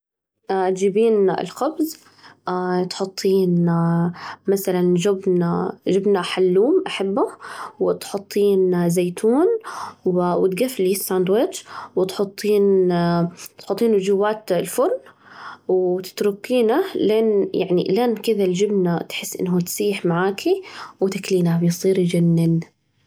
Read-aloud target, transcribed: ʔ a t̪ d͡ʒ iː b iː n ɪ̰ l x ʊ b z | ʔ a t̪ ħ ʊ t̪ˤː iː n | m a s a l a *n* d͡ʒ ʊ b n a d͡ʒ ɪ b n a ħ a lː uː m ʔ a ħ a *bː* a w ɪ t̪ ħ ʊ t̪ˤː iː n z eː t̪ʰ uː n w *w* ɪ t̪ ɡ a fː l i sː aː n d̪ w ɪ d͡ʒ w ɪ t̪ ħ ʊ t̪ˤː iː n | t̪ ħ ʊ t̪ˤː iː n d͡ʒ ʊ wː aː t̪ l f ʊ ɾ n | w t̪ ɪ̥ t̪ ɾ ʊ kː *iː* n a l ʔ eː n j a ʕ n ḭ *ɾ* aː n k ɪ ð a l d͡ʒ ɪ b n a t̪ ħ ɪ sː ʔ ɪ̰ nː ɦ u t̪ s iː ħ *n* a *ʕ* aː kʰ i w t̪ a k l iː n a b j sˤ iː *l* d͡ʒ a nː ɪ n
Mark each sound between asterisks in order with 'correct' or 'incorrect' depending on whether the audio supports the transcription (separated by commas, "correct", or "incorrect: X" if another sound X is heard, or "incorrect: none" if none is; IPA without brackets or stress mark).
correct, correct, correct, correct, incorrect: l, incorrect: m, correct, incorrect: ɾ